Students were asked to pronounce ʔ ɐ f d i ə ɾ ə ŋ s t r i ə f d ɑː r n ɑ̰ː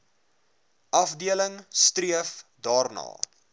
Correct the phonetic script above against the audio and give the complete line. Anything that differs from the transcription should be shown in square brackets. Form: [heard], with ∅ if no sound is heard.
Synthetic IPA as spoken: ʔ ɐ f d i ə [l] ə ŋ s t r i ə f d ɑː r n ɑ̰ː